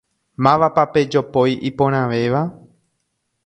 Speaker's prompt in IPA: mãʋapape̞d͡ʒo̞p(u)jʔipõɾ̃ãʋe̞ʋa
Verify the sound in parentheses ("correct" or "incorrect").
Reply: incorrect